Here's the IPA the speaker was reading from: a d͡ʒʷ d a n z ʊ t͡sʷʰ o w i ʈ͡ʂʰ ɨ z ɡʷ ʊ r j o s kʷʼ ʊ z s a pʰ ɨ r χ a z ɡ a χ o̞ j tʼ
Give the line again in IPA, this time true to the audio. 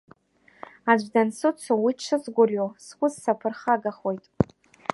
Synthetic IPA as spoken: a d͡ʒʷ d a n s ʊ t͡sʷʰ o w i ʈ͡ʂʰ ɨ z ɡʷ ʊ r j o s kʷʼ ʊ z s a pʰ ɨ r χ a ɡ a χ o̞ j tʼ